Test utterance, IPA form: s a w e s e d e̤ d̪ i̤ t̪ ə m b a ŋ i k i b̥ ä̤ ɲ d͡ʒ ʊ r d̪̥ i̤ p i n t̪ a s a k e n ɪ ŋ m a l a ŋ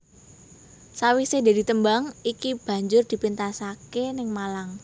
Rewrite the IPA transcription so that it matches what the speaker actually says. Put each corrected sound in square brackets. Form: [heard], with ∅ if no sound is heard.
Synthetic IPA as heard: s a w [i] s e d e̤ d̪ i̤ t̪ ə m b a ŋ i k i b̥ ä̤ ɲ d͡ʒ ʊ r d̪̥ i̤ p i n t̪ a s a k e n ɪ ŋ m a l a ŋ